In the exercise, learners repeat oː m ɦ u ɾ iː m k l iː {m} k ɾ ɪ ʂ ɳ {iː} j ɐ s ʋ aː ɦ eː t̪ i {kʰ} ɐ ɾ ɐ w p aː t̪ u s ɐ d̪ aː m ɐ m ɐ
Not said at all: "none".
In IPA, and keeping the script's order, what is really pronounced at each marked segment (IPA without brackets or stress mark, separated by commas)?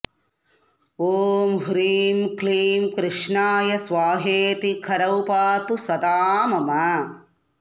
m, aː, kʰ